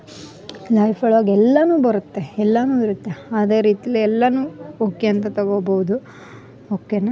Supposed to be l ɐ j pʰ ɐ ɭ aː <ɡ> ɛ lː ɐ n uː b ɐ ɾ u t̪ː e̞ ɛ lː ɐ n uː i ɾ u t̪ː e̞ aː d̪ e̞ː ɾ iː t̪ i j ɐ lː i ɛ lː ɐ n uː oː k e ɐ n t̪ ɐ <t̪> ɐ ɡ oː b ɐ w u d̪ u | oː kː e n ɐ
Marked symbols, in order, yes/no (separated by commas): yes, yes